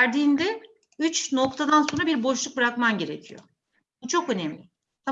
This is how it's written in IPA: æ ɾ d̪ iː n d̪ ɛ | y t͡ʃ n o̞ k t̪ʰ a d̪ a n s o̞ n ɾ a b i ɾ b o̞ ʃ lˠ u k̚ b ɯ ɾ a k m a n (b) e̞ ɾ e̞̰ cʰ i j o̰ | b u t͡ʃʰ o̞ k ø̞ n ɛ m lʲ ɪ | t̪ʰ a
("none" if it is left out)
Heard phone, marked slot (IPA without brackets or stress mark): ɟ